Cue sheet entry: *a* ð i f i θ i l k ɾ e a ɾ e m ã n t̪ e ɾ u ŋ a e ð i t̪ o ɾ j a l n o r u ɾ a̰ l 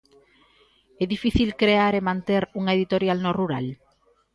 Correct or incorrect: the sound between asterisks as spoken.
incorrect: ɛ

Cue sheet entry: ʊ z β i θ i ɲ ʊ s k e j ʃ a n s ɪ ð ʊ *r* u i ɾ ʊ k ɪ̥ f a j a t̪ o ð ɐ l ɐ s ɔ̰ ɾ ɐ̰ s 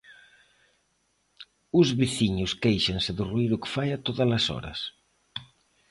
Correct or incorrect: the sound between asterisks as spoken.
correct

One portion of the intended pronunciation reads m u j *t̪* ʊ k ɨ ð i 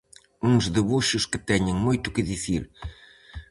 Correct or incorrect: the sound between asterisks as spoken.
correct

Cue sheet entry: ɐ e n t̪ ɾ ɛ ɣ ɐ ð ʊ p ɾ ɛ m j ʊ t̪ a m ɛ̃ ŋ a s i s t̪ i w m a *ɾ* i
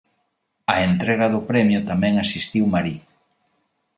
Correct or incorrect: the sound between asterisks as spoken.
correct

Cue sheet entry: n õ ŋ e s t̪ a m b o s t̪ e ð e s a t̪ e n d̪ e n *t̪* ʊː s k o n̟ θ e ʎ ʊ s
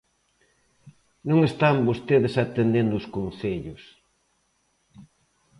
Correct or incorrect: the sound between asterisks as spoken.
incorrect: d̪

